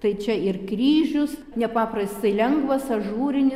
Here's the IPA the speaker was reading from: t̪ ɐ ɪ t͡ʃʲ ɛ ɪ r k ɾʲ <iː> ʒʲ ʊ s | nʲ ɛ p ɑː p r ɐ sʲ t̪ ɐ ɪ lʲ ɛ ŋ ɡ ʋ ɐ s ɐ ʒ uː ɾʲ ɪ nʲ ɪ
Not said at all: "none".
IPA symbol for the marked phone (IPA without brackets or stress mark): iː